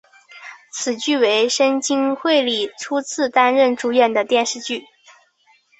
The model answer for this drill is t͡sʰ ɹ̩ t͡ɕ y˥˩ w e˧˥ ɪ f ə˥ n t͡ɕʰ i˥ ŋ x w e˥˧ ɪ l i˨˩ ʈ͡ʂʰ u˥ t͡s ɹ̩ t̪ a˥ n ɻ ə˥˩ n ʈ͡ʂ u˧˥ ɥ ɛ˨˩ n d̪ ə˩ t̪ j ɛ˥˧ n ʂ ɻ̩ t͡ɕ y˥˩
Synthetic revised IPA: t͡sʰ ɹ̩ t͡ɕ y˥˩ w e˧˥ ɪ ʂ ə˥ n t͡ɕ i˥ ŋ x w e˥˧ ɪ l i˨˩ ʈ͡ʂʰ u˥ t͡sʰ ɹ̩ t̪ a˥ n ɻ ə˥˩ n ʈ͡ʂ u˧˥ ɥ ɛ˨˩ n d̪ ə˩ t̪ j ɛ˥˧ n ʂ ɻ̩ t͡ɕ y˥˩